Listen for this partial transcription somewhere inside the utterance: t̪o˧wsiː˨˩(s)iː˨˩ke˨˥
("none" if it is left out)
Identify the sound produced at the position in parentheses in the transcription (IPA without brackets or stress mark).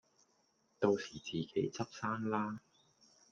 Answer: t͡s